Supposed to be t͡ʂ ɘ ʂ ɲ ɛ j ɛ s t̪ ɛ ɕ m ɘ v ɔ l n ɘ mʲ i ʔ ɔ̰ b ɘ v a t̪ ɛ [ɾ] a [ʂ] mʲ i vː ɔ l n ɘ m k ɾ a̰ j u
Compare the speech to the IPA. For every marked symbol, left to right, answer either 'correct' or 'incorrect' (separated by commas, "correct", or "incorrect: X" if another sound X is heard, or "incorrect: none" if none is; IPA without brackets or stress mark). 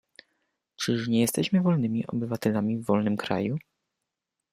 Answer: incorrect: l, incorrect: none